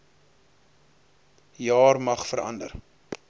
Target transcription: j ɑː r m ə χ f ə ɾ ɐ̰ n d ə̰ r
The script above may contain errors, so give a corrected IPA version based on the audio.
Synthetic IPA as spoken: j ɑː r m ɐ χ f ə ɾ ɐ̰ n d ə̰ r